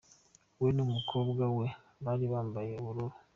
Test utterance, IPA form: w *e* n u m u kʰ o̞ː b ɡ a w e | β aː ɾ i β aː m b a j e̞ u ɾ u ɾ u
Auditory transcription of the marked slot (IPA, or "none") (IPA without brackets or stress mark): e